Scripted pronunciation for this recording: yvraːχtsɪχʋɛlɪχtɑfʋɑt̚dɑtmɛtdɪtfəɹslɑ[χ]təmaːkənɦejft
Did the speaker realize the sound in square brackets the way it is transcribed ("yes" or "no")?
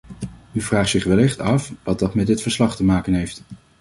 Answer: yes